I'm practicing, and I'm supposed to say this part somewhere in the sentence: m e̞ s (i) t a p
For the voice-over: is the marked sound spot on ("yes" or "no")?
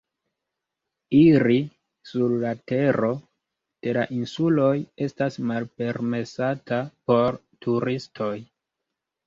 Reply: no